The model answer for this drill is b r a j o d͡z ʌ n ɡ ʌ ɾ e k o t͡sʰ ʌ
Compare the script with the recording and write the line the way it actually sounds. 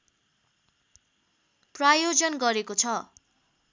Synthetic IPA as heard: p r a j o d͡z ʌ n ɡ ʌ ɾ e k o t͡sʰ ʌ